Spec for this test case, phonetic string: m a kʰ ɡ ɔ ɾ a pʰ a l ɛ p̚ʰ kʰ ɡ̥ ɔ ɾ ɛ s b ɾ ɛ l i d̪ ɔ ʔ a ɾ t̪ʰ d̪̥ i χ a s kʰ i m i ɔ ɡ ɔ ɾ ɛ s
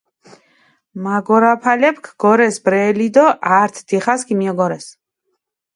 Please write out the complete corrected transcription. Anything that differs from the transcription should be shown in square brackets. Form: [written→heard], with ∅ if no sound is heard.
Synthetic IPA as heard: m a [kʰ→∅] ɡ ɔ ɾ a pʰ a l ɛ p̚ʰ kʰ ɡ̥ ɔ ɾ ɛ s b ɾ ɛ l i d̪ ɔ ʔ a ɾ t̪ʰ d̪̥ i χ a s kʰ i m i ɔ ɡ ɔ ɾ ɛ s